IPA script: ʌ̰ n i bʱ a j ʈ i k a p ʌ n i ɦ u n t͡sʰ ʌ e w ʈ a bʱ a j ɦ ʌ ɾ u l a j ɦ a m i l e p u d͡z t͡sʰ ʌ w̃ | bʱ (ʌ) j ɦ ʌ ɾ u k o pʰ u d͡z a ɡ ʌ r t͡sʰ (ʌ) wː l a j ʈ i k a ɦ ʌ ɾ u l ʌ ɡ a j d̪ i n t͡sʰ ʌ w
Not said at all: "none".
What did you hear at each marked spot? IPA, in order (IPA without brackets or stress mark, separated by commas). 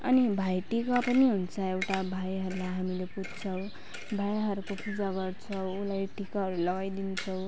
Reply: a, ʌ